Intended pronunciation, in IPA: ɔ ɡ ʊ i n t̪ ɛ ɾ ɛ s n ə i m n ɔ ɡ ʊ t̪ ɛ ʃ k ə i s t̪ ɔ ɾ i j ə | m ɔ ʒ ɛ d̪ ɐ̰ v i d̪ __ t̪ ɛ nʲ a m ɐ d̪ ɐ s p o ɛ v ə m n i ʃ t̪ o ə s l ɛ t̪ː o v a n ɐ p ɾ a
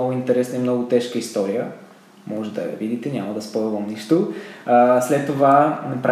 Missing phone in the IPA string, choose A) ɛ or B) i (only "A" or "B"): B